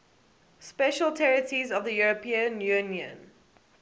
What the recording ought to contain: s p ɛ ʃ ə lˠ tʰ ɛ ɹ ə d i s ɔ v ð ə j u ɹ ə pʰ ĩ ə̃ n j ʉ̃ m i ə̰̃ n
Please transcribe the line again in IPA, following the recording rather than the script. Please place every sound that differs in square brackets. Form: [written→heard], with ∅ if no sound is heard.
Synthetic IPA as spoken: s p ɛ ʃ ə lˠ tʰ ɛ ɹ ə [d→t] i [s→z] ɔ v ð ə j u ɹ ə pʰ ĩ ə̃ n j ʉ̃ [m→n] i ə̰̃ n